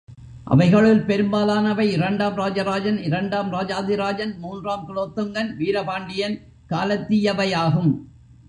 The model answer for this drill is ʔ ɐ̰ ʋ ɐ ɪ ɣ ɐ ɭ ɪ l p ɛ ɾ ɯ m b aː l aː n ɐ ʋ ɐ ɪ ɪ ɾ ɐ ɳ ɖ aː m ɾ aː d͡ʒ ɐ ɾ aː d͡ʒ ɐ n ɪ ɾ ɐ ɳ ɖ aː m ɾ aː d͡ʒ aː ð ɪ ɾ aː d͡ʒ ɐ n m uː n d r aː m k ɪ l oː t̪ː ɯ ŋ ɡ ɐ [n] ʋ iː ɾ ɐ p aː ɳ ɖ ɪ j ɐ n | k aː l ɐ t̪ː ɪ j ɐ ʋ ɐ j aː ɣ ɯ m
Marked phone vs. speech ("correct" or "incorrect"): correct